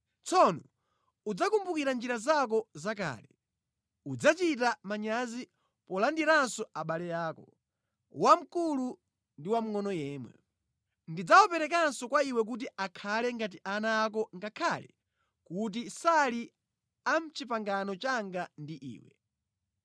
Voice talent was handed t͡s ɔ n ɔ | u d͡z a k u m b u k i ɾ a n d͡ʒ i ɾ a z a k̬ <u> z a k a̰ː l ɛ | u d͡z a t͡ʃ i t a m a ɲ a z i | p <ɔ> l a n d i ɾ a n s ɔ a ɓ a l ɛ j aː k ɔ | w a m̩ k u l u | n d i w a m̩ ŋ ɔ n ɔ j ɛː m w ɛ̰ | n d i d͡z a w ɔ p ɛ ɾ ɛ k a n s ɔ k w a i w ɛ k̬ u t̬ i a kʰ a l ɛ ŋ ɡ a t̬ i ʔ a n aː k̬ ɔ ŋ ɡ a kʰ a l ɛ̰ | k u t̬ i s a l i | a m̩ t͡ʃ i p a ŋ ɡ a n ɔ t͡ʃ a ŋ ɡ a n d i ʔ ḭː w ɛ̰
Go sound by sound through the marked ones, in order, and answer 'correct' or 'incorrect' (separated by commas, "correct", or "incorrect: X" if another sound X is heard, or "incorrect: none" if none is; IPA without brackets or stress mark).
incorrect: ɔ, correct